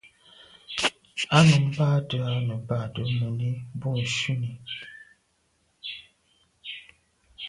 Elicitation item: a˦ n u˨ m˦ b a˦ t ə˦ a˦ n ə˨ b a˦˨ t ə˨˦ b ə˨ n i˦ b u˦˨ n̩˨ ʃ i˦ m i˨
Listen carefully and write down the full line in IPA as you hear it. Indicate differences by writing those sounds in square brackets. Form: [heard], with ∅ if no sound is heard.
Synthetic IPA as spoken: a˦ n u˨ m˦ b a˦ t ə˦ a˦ n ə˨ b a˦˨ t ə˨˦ [m] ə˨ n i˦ b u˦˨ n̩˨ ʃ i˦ [n] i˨